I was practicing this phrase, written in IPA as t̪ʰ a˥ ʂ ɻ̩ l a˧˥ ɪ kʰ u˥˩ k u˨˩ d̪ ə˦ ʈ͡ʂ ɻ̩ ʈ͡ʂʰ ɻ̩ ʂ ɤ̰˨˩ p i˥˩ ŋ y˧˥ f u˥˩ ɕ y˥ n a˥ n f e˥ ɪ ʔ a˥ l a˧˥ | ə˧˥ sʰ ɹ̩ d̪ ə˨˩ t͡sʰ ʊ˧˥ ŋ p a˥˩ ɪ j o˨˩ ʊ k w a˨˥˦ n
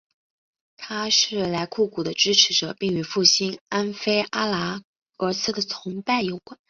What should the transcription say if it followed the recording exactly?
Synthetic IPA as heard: t̪ʰ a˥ ʂ ɻ̩ l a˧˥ ɪ kʰ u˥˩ k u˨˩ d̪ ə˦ ʈ͡ʂ ɻ̩ ʈ͡ʂʰ ɻ̩ ʈ͡ʂ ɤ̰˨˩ p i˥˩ ŋ y˧˥ f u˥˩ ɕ i˥ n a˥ n f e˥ ɪ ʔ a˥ l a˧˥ | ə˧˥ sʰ ɹ̩ d̪ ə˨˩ t͡sʰ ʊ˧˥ ŋ p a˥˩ ɪ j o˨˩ ʊ k w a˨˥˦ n